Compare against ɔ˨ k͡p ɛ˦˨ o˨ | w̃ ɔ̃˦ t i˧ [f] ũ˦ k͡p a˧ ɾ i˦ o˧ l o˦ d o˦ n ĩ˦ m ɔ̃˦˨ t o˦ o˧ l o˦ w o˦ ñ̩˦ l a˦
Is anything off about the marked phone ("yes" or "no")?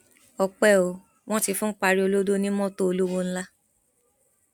no